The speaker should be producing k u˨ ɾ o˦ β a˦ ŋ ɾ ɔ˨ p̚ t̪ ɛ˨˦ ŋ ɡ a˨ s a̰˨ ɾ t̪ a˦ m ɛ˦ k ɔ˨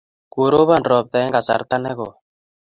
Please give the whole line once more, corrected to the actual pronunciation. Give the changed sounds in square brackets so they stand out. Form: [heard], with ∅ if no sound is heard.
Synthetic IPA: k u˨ ɾ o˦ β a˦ [n] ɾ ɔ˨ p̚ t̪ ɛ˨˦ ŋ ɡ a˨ s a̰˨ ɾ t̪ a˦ [n] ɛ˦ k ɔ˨